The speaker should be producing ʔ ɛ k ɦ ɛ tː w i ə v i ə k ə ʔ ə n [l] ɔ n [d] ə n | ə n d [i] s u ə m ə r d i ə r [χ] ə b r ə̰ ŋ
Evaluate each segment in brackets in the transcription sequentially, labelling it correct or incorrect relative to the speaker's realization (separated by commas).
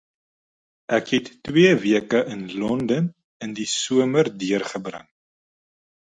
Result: correct, correct, correct, correct